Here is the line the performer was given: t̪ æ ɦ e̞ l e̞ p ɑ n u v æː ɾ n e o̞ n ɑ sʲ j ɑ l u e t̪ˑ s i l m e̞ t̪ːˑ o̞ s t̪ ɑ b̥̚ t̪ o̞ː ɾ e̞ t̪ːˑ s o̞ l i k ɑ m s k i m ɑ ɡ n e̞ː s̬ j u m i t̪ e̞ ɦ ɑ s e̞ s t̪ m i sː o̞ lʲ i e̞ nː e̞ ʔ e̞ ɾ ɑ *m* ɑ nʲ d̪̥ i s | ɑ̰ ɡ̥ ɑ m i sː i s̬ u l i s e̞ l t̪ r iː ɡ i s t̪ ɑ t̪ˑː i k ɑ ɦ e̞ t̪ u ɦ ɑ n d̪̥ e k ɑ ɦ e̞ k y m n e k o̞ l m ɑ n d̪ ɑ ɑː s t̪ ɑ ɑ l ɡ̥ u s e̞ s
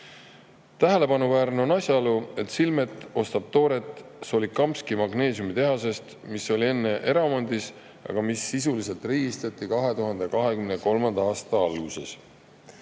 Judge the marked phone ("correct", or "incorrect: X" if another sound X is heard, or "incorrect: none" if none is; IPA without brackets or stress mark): correct